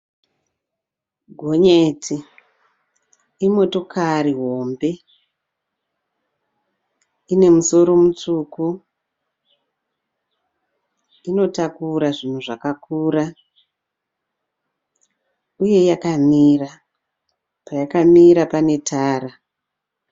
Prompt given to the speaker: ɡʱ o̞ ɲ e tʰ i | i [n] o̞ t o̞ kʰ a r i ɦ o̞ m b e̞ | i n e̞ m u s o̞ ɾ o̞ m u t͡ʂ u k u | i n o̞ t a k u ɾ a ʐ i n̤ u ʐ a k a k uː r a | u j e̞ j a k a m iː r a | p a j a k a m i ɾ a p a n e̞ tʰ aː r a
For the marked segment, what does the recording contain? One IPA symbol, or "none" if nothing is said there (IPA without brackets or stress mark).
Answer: m